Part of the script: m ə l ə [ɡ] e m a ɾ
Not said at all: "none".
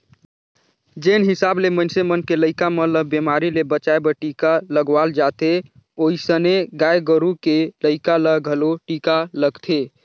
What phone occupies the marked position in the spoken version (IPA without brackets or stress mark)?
b